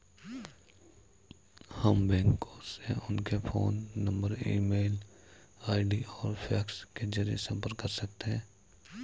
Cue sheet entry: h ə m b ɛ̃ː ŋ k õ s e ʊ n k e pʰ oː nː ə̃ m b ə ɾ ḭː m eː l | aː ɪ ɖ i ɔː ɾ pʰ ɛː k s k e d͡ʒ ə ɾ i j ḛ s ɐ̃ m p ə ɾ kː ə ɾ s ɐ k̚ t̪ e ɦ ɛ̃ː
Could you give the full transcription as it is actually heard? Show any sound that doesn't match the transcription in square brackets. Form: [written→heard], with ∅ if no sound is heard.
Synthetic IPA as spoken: h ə m b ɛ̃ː ŋ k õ s e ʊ n k e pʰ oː nː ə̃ m b ə ɾ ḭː m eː l | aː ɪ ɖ i ɔː ɾ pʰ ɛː k s k e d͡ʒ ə ɾ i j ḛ s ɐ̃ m p ə ɾ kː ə ɾ s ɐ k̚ t̪ e ɦ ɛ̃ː